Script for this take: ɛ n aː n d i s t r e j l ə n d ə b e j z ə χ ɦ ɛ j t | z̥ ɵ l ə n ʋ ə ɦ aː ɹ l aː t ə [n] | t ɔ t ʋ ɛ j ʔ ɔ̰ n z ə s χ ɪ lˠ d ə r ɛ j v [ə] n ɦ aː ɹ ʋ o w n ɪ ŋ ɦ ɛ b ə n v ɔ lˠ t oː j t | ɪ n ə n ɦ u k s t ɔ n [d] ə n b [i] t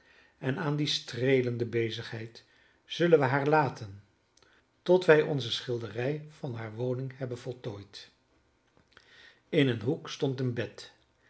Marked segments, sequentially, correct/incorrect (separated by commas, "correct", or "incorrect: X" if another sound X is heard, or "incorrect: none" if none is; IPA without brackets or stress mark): correct, incorrect: ɑ, incorrect: t, incorrect: ɛ